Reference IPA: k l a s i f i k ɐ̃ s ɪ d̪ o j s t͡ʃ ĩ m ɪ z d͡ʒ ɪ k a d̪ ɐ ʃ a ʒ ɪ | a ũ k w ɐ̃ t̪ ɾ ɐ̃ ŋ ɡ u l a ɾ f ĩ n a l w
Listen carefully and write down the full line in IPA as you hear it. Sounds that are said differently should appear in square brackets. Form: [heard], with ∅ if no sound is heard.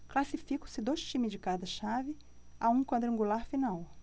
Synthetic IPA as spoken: k l a s i f i k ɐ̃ s ɪ d̪ o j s t͡ʃ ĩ m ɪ z d͡ʒ ɪ k a d̪ ɐ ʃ a [v] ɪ | a ũ k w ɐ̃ [d̪] ɾ ɐ̃ ŋ ɡ u l a ɾ f [i] n a [∅] w